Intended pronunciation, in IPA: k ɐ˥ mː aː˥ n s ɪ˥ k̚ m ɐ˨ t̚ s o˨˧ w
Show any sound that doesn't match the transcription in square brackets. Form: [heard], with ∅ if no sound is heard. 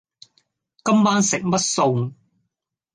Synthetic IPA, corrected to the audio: k ɐ˥ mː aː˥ n s [ɪ˨] k̚ m [ɐ˥] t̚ s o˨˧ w